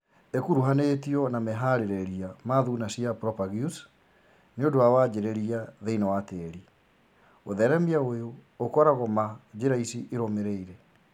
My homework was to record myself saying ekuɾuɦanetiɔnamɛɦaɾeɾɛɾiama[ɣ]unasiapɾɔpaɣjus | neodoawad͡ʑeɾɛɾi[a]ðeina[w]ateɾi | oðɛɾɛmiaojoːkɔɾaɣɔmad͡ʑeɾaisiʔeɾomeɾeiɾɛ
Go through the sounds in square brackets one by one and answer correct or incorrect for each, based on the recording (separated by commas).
incorrect, correct, correct